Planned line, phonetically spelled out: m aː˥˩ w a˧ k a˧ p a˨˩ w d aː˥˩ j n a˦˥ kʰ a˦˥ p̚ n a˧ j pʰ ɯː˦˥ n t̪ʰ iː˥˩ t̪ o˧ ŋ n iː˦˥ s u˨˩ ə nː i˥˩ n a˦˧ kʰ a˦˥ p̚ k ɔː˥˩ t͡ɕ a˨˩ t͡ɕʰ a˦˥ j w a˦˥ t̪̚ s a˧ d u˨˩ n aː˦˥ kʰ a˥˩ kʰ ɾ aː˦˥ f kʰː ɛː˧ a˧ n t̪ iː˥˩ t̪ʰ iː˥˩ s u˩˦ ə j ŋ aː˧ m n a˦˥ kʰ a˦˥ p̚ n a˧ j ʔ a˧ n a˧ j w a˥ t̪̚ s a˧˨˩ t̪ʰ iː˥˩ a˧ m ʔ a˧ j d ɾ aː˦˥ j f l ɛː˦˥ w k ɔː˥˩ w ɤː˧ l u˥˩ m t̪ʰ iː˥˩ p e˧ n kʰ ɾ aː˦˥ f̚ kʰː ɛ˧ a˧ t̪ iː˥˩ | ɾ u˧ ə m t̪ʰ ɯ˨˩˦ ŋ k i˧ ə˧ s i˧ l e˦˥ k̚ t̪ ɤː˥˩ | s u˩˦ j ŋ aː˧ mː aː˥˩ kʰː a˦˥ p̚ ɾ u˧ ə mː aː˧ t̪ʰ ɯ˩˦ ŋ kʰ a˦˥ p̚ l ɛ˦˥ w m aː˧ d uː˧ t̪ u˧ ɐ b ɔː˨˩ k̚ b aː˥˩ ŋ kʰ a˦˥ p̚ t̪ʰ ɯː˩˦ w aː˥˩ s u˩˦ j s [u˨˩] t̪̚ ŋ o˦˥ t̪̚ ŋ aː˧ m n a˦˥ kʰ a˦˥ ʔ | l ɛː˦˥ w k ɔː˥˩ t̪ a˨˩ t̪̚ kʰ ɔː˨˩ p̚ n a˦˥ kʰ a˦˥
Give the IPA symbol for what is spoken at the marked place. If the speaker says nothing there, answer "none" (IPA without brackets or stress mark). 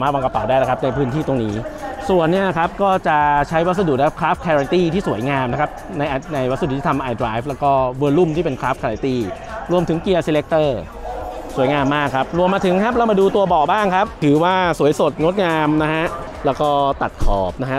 o˨˩